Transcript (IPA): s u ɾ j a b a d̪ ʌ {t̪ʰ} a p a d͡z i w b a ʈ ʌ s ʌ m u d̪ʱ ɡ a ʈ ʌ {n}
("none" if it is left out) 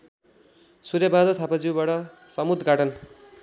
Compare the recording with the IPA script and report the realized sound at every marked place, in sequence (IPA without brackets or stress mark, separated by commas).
t̪ʰ, n